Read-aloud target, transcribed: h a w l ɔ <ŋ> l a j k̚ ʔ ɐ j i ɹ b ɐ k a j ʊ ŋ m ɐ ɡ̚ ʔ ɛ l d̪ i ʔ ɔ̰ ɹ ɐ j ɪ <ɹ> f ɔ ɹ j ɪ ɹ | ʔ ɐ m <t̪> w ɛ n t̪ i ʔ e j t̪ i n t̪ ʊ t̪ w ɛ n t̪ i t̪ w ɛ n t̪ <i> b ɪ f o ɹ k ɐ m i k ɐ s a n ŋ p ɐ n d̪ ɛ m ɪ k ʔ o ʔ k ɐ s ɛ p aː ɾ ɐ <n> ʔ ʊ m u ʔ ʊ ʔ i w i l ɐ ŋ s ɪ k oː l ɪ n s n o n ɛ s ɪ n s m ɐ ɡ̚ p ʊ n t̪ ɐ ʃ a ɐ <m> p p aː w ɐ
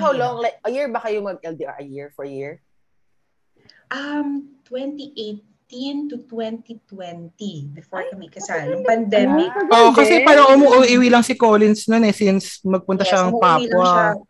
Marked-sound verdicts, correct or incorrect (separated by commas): correct, correct, correct, correct, incorrect, incorrect